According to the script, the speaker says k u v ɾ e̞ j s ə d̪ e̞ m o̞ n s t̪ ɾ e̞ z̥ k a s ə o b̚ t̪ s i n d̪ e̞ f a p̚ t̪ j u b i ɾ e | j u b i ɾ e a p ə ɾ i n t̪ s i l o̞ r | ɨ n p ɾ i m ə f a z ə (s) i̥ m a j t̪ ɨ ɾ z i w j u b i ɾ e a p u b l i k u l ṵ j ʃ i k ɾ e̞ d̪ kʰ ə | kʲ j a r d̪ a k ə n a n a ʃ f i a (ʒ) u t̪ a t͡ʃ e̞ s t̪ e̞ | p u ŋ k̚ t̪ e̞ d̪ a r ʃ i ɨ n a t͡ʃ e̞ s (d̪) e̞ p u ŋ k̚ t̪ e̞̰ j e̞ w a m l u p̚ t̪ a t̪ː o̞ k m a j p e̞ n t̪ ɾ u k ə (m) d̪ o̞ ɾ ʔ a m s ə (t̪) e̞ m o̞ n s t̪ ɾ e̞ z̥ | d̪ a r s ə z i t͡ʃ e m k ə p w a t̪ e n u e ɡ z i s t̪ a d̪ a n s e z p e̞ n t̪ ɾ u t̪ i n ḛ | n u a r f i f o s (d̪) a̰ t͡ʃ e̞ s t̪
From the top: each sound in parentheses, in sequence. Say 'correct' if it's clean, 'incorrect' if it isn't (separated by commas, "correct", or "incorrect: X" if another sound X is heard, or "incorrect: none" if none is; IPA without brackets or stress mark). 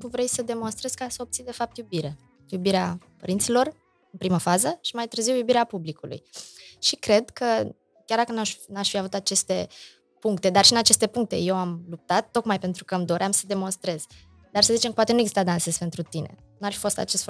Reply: incorrect: ʃ, incorrect: v, incorrect: t̪, correct, incorrect: d̪, incorrect: t̪